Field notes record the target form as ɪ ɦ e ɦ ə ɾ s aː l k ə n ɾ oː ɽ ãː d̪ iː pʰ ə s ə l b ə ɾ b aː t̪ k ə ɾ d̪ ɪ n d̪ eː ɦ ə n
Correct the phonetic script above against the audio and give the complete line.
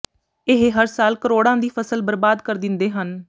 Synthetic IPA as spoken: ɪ ɦ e ɦ ə ɾ s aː l k ə ɾ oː ɽ ãː d̪ iː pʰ ə s ə l b ə ɾ b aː d̪ k ə ɾ d̪ ɪ n d̪ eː ɦ ə n